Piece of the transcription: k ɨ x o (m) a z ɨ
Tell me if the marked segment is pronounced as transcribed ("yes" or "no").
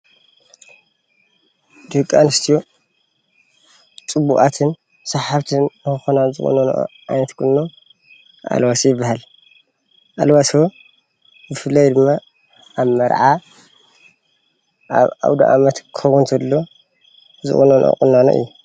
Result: no